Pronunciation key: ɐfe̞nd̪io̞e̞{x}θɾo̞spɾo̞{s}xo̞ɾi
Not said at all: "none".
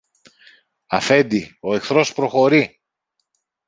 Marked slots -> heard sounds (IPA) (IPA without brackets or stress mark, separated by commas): k, none